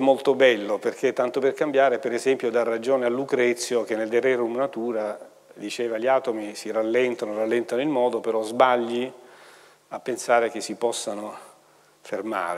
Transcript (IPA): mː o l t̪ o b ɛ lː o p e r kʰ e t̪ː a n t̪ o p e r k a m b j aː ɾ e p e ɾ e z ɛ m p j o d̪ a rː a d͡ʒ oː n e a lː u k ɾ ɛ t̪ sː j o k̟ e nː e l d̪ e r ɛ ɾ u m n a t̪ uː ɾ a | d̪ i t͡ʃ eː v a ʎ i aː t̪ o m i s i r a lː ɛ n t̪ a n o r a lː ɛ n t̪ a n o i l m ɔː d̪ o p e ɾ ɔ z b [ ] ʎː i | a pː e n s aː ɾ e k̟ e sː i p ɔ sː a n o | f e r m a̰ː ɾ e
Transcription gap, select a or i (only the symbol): a